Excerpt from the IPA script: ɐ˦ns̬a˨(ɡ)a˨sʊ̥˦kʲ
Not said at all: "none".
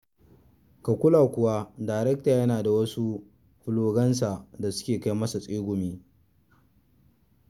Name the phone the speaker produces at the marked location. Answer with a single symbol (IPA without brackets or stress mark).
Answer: d